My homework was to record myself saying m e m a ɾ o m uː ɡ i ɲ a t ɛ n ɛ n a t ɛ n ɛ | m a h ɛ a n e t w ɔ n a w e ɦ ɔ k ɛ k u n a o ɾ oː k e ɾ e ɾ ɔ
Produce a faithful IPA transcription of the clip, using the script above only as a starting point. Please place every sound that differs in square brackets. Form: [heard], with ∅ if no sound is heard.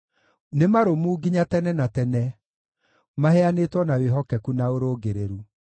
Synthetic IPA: [n] e m a ɾ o m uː ɡ i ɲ a t ɛ n ɛ n a t ɛ n ɛ | m a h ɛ a n e t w ɔ n a w e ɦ ɔ k ɛ k u n a o ɾ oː [ɡ] e ɾ e ɾ [u]